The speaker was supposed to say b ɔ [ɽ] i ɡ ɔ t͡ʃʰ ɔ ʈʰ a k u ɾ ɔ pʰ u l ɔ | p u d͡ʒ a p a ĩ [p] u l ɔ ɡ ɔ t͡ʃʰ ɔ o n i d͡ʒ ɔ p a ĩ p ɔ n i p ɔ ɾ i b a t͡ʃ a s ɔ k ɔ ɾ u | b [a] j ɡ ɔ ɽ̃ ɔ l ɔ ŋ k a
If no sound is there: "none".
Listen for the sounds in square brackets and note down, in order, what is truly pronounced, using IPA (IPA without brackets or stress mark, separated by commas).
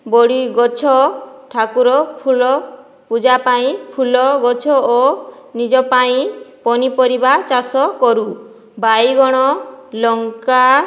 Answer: ɽ, pʰ, a